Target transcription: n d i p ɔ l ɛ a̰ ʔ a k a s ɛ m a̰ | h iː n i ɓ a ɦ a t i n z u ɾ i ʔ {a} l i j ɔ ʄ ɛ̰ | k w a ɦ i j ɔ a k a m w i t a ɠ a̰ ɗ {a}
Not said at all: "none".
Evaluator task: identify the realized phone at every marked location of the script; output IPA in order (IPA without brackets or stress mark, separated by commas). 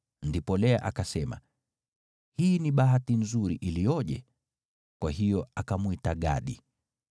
i, i